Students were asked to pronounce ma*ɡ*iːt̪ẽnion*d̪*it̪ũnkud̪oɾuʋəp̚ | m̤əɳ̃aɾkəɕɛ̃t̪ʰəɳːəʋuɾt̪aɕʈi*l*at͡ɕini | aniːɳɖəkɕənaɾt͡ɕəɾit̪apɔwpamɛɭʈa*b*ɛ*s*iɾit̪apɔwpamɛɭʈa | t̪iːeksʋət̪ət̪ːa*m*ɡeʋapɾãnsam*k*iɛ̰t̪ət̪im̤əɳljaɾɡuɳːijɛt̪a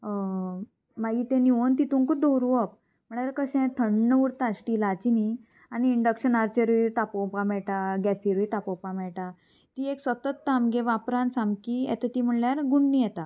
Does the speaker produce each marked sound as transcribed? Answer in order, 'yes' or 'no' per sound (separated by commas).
yes, no, yes, no, yes, yes, yes